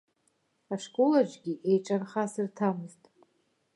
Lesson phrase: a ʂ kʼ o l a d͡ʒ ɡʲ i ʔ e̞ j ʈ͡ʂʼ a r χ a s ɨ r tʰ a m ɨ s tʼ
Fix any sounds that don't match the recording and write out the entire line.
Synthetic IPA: a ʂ kʼ o l a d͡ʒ ɡʲ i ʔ e̞ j ʈ͡ʂʼ a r χ a s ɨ r tʰ a m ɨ z tʼ